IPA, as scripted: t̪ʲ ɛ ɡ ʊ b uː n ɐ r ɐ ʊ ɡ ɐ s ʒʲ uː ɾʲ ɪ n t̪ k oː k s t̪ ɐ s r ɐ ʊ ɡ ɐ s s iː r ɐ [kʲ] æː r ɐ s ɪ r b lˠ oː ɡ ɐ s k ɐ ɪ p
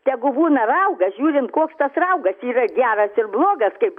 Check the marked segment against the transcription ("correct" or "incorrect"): incorrect